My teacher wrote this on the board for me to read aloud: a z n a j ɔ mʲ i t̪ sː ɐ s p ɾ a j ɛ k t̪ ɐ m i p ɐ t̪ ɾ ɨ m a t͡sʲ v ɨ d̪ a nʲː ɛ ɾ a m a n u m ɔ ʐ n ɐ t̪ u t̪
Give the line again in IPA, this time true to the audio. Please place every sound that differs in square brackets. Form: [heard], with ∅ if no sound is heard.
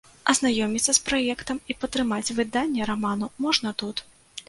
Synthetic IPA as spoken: [ɐ] z n a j ɔ mʲ i t̪ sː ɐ s p ɾ a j ɛ k t̪ ɐ m i p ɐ t̪ ɾ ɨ m a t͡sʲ v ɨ d̪ a nʲː ɛ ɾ a m a n u m ɔ ʐ n ɐ t̪ u t̪